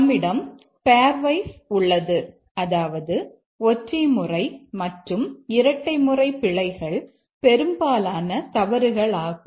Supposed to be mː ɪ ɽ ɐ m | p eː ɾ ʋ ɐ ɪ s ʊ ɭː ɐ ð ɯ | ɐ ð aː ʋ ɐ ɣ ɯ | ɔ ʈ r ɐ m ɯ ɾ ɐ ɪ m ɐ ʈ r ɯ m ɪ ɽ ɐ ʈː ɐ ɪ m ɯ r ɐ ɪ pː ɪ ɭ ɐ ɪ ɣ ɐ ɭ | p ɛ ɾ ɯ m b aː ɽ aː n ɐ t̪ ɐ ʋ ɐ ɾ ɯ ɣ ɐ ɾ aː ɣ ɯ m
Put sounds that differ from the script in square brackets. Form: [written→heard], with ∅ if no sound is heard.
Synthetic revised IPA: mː ɪ ɽ ɐ m | p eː ɾ ʋ ɐ ɪ s ʊ ɭː ɐ ð ɯ | ɐ ð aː ʋ ɐ [ɣ→ð] ɯ | ɔ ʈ r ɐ m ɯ [ɾ→r] ɐ ɪ m ɐ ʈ r ɯ m ɪ [ɽ→ɾ] ɐ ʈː ɐ ɪ m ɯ r ɐ ɪ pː ɪ ɭ ɐ ɪ ɣ ɐ ɭ | p ɛ ɾ ɯ m b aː [ɽ→l] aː n ɐ t̪ ɐ ʋ ɐ ɾ ɯ ɣ ɐ [ɾ→ɭ] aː ɣ ɯ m